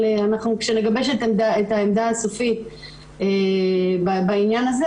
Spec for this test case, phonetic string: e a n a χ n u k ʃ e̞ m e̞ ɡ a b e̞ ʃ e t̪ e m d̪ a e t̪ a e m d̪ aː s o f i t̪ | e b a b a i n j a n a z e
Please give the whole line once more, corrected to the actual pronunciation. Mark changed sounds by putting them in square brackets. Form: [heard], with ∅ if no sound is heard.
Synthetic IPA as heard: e a n a χ n u k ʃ e̞ [n] e̞ ɡ a b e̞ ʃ e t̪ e m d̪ a e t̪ a e m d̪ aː s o f i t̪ | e b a b a i n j a n a z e